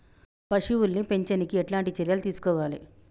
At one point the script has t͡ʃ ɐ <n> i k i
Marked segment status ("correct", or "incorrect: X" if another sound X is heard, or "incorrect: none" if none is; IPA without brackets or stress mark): correct